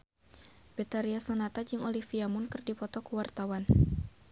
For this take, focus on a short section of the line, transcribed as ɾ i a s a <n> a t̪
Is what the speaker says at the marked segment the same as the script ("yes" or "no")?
yes